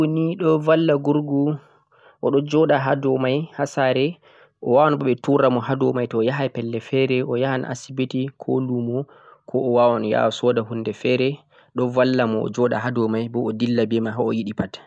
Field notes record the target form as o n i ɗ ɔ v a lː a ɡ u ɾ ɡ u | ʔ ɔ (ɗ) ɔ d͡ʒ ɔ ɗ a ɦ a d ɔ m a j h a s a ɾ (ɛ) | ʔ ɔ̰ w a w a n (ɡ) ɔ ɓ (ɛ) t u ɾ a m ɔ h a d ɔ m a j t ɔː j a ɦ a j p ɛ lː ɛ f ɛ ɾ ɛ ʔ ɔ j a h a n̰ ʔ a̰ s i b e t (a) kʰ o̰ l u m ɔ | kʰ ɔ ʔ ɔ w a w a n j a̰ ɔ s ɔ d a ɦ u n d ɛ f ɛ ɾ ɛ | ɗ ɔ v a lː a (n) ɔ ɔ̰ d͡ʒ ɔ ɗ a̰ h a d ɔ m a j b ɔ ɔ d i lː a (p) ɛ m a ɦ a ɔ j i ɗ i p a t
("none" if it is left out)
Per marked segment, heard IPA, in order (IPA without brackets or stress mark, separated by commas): ɗ, ɛ, b, ɛ, i, m, b